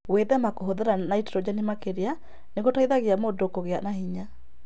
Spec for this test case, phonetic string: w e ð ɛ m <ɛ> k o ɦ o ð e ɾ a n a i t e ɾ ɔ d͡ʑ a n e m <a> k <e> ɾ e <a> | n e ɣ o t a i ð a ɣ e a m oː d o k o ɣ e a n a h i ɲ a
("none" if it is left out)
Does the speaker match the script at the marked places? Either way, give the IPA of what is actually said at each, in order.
a, a, e, a

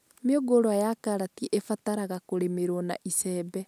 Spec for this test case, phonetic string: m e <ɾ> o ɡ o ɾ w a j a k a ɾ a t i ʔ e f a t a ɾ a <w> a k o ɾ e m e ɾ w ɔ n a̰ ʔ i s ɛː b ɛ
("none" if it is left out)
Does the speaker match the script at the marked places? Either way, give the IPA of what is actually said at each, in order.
none, ɣ

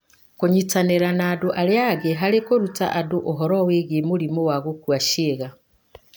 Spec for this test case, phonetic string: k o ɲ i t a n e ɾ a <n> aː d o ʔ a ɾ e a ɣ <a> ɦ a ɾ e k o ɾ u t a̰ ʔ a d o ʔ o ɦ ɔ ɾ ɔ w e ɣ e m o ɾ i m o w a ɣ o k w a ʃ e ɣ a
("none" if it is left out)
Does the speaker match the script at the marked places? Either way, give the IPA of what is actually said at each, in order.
n, e

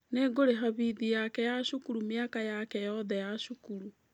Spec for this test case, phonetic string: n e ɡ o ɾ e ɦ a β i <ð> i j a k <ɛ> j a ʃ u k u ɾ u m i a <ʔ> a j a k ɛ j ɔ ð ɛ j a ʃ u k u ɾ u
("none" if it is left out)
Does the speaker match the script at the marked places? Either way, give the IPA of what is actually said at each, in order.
ð, ɛ, k

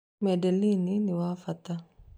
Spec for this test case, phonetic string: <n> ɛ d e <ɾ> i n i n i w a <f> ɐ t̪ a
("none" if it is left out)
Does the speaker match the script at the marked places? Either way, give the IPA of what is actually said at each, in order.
m, l, f

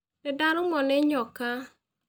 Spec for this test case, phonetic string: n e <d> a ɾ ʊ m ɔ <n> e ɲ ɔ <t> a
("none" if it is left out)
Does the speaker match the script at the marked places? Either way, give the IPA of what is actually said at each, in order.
d, n, k

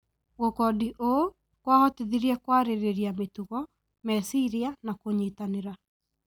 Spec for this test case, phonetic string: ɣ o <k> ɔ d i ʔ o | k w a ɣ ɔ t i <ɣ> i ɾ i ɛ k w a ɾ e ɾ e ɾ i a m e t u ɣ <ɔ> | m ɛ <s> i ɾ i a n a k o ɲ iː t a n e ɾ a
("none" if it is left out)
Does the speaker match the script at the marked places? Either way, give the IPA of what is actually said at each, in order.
k, ð, ɔ, s

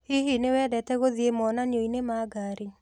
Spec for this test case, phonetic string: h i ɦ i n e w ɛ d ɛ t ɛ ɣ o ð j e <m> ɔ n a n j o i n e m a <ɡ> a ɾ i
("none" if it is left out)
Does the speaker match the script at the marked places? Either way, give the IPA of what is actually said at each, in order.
m, ɡ

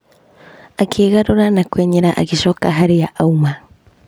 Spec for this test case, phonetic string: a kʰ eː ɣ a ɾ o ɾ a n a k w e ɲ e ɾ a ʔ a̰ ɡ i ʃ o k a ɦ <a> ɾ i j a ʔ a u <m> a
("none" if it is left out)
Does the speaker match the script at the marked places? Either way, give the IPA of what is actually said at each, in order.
a, m

